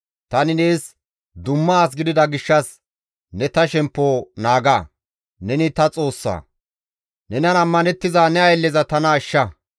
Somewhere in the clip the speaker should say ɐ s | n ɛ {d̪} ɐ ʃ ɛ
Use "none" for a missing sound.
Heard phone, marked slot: t̪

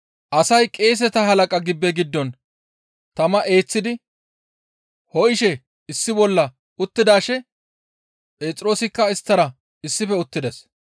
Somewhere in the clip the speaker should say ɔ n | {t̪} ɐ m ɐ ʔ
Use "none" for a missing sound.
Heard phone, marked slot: t̪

